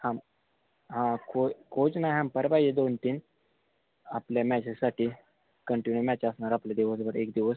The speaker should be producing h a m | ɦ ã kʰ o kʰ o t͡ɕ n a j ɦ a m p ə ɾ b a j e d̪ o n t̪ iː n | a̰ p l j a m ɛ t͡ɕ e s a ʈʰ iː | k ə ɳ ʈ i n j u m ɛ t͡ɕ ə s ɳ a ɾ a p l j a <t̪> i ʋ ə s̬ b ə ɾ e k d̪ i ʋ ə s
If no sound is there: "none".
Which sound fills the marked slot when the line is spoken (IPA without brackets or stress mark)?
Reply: d̪